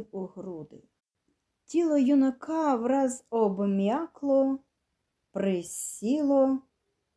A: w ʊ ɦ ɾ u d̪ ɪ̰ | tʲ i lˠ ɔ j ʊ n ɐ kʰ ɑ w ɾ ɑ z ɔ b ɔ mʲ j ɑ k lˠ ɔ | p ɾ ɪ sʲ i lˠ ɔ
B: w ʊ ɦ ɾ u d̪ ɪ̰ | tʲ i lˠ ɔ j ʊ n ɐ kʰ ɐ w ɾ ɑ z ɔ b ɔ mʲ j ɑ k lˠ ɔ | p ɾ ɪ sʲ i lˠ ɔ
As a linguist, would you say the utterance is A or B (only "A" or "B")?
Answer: A